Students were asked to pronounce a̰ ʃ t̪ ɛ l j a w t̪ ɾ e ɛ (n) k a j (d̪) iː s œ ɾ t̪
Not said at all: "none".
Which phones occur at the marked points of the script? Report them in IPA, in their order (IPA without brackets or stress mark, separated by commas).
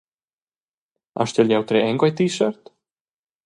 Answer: ŋ, t̪